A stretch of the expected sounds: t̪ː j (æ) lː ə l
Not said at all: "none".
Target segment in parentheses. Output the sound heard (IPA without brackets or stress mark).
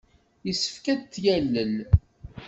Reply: æ